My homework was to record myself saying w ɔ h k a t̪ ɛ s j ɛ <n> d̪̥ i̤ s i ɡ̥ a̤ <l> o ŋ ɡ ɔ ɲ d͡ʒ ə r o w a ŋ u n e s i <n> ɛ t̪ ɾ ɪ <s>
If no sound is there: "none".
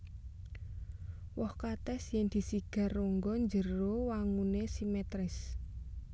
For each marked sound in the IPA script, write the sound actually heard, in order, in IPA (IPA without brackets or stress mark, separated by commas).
ŋ, r, m, s